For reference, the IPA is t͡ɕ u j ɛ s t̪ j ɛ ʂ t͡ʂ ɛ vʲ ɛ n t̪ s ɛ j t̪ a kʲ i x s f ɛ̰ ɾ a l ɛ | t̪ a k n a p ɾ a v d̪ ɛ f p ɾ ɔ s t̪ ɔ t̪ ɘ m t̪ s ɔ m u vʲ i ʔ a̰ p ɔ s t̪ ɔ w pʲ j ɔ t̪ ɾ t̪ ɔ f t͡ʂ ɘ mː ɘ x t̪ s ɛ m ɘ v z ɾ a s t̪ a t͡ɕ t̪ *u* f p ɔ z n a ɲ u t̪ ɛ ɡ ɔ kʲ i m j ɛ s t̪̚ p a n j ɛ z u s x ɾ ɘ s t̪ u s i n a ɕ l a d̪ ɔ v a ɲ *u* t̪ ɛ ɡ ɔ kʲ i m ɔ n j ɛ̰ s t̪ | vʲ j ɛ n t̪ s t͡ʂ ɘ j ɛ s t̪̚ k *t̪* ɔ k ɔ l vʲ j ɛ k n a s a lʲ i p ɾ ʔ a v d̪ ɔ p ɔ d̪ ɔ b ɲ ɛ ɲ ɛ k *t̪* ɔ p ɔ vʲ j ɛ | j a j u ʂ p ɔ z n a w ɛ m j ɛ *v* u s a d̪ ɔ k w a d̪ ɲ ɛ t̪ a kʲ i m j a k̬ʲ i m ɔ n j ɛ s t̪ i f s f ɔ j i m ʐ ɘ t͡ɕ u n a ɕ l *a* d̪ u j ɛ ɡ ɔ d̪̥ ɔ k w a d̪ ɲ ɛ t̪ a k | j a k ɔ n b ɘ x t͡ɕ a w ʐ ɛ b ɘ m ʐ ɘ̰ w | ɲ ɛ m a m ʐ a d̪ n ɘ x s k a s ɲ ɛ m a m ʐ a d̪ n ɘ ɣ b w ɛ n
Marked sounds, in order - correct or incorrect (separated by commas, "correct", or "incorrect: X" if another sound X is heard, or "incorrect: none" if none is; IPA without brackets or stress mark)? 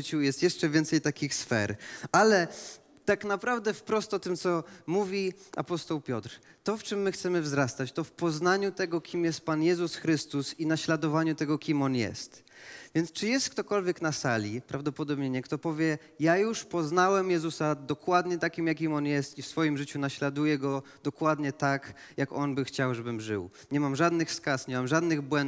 incorrect: ɔ, correct, correct, correct, incorrect: z, correct